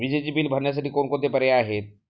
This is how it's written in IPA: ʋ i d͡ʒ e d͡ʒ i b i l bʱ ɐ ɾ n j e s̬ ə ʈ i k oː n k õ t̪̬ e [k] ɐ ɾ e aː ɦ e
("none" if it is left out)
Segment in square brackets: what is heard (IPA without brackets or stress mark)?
p